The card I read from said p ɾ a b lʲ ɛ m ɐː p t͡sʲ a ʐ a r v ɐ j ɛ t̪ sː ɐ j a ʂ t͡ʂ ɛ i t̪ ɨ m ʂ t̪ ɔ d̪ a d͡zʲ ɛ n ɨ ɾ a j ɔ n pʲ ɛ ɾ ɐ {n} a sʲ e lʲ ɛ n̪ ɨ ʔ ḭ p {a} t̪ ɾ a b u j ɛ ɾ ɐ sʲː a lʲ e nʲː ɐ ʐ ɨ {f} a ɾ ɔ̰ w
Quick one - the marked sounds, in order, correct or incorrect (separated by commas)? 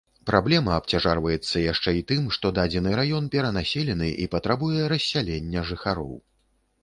correct, incorrect, incorrect